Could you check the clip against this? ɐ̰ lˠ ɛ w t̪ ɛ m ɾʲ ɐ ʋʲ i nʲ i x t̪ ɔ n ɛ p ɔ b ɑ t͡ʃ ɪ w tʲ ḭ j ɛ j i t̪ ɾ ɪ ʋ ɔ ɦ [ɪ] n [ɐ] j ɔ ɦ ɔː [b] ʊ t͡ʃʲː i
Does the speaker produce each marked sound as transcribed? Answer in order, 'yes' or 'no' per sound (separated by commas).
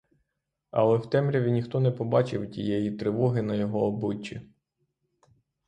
yes, yes, yes